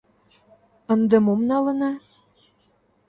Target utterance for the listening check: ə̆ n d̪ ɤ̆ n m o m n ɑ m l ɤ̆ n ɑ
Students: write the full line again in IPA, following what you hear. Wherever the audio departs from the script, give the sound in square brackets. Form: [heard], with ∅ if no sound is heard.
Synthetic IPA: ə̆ n d̪ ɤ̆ [∅] m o m n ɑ [∅] l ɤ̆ n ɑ